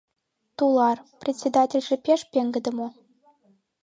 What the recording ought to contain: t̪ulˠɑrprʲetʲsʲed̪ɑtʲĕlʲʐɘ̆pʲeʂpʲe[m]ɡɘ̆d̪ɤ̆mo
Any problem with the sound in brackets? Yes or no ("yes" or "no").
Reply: yes